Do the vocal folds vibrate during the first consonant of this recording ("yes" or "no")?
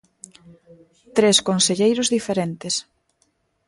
no